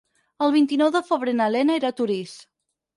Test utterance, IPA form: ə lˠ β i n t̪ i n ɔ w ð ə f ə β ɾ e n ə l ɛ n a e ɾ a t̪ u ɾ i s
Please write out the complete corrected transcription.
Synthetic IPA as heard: ə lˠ β i n t̪ i n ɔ w ð ə f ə β ɾ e n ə l ɛ n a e ɾ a t̪ u ɾ i s